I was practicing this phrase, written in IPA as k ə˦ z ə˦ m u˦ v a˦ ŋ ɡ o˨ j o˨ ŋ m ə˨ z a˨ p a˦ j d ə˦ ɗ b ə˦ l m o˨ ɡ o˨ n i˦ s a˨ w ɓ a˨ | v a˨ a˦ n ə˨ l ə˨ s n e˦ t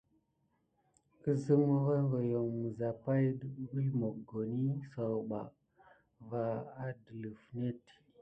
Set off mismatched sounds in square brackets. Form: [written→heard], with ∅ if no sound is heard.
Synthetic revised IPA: k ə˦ z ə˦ m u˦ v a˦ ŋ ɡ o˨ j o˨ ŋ m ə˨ z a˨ p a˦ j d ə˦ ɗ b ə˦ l m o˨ ɡ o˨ n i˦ s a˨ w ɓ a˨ | v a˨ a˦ [n→d] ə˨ l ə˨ [s→f] n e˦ t